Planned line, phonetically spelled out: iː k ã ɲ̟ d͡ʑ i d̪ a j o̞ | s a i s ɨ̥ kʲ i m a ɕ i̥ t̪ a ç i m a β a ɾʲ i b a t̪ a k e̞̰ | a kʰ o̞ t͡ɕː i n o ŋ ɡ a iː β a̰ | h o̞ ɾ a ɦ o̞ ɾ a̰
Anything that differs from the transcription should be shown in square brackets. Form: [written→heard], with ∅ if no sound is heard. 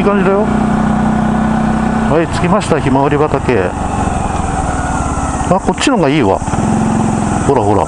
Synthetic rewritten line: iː k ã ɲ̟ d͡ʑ i d̪ a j o̞ | [s→h] a i [s→t͡s] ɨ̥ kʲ i m a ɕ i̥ t̪ a ç i m a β a ɾʲ i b a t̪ a k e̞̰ | a [kʰ→k] o̞ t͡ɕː i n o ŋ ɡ a iː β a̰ | h o̞ ɾ a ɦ o̞ ɾ a̰